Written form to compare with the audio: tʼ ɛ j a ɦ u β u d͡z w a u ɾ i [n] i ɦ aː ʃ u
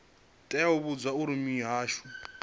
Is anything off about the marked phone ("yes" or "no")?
yes